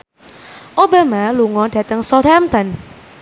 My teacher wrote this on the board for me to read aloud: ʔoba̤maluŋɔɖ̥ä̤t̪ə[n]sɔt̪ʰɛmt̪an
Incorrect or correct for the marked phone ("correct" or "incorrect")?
incorrect